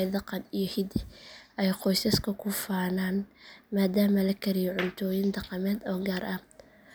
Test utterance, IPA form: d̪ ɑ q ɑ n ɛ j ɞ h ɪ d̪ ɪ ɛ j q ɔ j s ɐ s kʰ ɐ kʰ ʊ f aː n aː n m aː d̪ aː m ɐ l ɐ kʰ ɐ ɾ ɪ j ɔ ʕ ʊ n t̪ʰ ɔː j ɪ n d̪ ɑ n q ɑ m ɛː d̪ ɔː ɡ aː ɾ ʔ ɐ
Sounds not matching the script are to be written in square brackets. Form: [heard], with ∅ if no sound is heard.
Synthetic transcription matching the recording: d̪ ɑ q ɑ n [i] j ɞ h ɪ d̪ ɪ ɛ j q ɔ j s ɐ s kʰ ɐ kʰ ʊ f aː n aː n m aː d̪ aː m ɐ l ɐ kʰ ɐ ɾ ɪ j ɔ ʕ ʊ n t̪ʰ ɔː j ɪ n d̪ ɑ [∅] q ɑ m ɛː d̪ ɔː ɡ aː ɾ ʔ ɐ